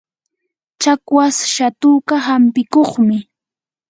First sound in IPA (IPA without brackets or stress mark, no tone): t͡ʃ